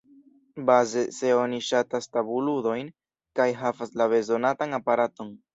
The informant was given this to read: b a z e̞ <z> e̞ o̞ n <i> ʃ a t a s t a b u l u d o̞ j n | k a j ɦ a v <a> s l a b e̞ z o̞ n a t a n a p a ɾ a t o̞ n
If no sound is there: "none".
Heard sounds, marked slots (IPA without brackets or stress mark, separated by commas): s, i, a